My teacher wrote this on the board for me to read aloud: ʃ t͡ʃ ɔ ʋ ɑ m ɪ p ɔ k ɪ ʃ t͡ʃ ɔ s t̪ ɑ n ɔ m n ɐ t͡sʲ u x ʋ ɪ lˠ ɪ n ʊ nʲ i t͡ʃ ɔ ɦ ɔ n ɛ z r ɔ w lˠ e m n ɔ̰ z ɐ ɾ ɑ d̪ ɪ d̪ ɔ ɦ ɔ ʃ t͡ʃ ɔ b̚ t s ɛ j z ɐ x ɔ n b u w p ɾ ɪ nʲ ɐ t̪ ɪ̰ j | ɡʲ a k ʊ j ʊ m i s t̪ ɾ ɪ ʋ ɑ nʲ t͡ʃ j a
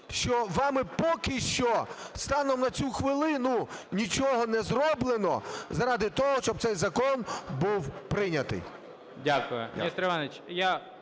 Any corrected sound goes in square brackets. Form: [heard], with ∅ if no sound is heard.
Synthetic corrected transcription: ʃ t͡ʃ ɔ ʋ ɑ m ɪ p ɔ k ɪ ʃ t͡ʃ ɔ s t̪ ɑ n ɔ m n ɐ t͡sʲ u x ʋ ɪ lˠ ɪ n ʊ nʲ i t͡ʃ ɔ ɦ ɔ n ɛ z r ɔ [b] lˠ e [∅] n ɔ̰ z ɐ ɾ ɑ d̪ ɪ [t̪] ɔ ɦ ɔ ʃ t͡ʃ ɔ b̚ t s ɛ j z ɐ [k] ɔ n b u w p ɾ ɪ nʲ ɐ t̪ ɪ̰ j | [dʲ] a k ʊ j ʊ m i s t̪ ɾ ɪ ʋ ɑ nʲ t͡ʃ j a

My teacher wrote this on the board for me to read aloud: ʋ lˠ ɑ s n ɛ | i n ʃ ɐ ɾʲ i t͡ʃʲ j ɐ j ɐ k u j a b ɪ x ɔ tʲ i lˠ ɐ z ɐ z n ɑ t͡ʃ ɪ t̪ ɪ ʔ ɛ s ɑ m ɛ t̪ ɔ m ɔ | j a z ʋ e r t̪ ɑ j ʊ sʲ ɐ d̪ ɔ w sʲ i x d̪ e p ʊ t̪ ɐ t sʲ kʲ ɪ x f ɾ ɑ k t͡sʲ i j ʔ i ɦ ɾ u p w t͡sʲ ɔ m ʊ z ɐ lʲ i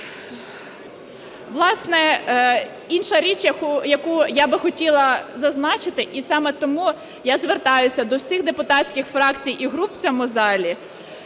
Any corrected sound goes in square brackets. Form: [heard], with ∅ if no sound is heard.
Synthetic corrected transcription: ʋ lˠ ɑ s n ɛ | i n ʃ ɐ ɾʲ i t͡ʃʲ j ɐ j ɐ k u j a b ɪ x ɔ tʲ i lˠ ɐ z ɐ z n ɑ t͡ʃ ɪ t̪ ɪ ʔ [i] s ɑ m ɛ t̪ ɔ m [u] | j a z ʋ e r t̪ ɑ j ʊ sʲ ɐ d̪ ɔ w sʲ i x d̪ e p ʊ t̪ [ɑ] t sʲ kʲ ɪ x f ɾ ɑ k t͡sʲ i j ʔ i ɦ ɾ u p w t͡sʲ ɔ m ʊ z [ɑ] lʲ i

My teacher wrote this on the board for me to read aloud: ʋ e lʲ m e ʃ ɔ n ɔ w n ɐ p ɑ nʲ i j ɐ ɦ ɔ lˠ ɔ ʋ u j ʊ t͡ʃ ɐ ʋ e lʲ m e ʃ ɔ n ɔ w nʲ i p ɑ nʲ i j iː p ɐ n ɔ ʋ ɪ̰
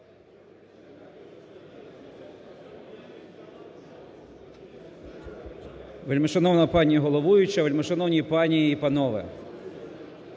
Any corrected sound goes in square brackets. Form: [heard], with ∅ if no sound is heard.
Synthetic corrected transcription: ʋ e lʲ m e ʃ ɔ n ɔ w n ɐ p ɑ nʲ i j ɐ ɦ ɔ lˠ ɔ ʋ u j ʊ t͡ʃ ɐ ʋ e lʲ m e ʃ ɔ n ɔ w nʲ i p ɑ nʲ i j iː p ɐ n ɔ ʋ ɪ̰

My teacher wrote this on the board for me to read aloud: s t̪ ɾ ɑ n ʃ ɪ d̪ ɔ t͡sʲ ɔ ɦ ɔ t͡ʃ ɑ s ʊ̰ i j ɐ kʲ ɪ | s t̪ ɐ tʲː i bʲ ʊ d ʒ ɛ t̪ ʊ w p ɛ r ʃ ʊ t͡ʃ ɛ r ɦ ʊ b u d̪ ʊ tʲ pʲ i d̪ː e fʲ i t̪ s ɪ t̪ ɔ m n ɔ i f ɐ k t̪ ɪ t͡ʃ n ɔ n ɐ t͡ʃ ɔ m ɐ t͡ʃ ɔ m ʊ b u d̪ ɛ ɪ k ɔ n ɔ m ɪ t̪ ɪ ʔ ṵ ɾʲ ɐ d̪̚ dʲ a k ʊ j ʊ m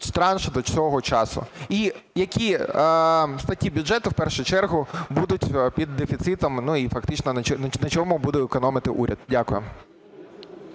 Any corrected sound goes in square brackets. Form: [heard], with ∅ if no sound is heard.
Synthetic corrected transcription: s t̪ ɾ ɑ n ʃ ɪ d̪ ɔ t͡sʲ ɔ ɦ ɔ t͡ʃ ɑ s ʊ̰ i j ɐ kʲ [i] | s t̪ ɐ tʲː i bʲ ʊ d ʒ ɛ t̪ ʊ w p ɛ r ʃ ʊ t͡ʃ ɛ r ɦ ʊ b u d̪ ʊ tʲ pʲ i d̪ː e fʲ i t̪ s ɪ t̪ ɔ m n [u] i f ɐ k t̪ ɪ t͡ʃ n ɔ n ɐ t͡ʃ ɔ [n] ɐ t͡ʃ ɔ m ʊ b u d̪ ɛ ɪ k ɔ n ɔ m ɪ t̪ ɪ ʔ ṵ ɾʲ ɐ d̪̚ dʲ a k ʊ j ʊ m

